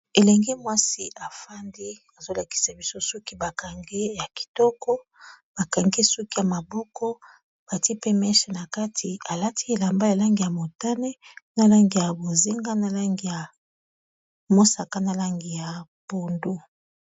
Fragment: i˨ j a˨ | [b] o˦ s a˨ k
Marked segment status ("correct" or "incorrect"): incorrect